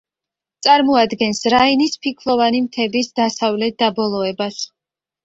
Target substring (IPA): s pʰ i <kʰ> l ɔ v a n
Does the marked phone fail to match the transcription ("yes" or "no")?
no